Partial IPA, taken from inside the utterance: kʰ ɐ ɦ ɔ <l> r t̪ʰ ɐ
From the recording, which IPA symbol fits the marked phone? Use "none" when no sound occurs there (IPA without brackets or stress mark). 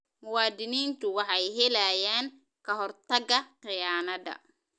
none